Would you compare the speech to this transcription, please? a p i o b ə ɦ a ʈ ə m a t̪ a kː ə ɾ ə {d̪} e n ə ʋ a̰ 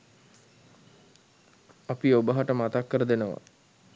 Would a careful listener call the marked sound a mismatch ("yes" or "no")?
no